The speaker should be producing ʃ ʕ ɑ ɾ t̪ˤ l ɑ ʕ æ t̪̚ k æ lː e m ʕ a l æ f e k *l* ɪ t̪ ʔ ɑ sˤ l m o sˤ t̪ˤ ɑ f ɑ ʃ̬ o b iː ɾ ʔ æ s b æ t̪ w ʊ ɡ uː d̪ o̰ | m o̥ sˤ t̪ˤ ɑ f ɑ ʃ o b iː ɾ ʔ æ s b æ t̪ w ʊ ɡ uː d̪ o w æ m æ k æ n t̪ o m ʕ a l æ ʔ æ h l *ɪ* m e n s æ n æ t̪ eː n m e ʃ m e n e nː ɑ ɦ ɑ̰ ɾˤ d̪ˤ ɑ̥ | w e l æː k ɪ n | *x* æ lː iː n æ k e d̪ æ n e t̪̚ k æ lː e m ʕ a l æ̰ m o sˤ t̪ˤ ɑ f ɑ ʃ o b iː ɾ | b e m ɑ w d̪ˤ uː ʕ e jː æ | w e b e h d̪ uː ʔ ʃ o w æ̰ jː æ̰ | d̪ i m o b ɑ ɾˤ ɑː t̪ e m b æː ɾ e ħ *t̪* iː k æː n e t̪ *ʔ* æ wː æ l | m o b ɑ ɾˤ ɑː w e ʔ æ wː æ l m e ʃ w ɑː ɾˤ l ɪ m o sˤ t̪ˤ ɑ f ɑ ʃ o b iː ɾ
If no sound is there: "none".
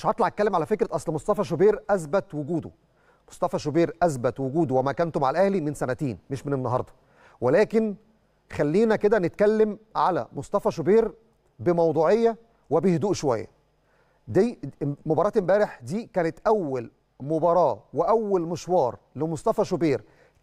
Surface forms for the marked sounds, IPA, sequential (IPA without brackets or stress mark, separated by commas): ɾ, i, x, d̪, ʔ